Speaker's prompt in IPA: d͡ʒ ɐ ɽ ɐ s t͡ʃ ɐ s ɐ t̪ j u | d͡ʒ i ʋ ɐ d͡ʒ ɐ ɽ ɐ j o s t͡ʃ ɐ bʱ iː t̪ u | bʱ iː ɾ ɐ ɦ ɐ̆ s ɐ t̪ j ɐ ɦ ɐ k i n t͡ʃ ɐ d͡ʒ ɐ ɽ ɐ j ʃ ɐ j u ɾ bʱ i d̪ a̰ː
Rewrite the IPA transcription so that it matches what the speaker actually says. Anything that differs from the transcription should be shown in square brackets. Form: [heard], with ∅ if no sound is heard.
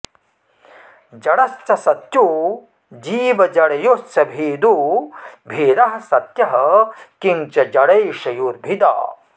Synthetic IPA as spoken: d͡ʒ ɐ ɽ ɐ s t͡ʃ ɐ s ɐ t̪ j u | d͡ʒ [iː] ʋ ɐ d͡ʒ ɐ ɽ ɐ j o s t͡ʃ ɐ bʱ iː [d̪] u | bʱ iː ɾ ɐ ɦ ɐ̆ s ɐ t̪ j ɐ ɦ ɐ k i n t͡ʃ ɐ d͡ʒ ɐ ɽ ɐ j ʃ ɐ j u ɾ bʱ i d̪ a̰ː